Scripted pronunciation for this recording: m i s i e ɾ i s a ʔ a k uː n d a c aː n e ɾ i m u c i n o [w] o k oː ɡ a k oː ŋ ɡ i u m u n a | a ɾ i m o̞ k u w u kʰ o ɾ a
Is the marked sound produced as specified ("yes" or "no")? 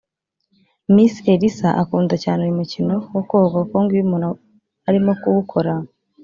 yes